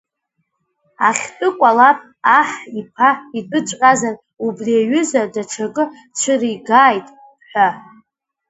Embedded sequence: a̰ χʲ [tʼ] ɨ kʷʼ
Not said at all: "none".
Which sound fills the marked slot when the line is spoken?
tʼ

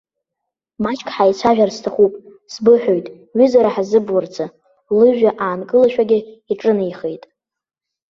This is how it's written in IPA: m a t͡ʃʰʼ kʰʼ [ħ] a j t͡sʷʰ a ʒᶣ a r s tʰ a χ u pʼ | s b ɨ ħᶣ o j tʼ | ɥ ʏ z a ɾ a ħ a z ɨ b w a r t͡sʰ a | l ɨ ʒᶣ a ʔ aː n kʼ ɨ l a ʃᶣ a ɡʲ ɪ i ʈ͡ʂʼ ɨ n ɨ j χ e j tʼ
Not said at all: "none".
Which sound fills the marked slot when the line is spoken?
ħ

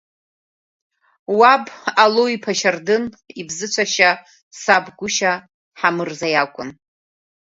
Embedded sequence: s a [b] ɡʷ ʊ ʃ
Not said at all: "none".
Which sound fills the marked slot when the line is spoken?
b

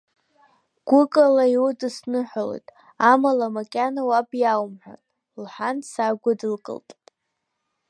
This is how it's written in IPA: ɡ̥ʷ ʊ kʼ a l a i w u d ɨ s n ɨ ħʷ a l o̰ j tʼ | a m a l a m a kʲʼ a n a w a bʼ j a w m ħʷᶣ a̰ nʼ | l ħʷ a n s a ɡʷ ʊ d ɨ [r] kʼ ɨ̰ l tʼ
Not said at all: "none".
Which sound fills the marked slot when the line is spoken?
l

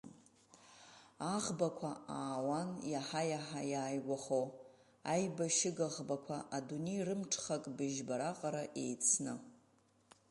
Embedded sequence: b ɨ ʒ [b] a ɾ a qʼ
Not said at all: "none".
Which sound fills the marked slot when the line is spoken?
b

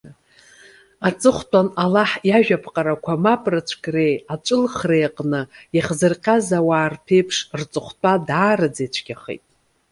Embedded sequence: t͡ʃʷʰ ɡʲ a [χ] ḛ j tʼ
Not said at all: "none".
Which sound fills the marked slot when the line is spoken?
χ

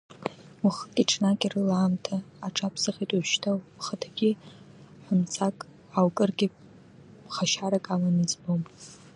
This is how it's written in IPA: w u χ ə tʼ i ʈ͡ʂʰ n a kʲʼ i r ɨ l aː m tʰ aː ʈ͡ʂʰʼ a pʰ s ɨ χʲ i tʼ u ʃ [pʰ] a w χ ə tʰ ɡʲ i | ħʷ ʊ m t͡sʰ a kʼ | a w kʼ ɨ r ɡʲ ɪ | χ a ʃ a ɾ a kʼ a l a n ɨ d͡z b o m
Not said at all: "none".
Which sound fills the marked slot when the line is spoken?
tʰ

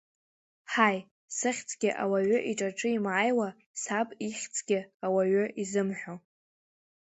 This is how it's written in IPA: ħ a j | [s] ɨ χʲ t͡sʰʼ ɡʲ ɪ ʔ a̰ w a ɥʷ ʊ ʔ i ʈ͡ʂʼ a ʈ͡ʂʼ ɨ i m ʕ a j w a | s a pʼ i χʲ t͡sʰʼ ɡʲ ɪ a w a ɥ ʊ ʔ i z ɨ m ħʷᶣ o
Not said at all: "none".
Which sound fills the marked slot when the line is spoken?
s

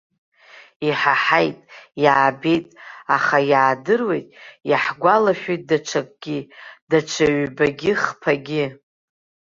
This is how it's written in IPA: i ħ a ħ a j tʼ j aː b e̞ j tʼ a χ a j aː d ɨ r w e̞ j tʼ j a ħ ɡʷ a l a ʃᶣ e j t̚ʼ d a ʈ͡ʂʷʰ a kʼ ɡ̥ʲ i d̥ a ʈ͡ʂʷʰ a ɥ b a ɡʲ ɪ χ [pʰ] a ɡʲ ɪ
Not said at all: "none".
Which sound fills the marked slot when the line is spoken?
pʰ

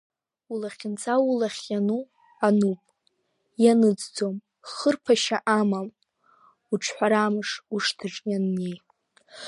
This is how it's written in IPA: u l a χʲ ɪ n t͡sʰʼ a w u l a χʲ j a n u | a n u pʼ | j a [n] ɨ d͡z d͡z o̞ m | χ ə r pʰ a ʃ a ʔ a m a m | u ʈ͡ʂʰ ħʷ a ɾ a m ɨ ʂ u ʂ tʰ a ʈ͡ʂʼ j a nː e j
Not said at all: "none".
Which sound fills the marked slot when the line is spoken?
n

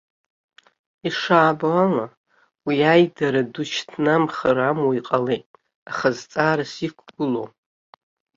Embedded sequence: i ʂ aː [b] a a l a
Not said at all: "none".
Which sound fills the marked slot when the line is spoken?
b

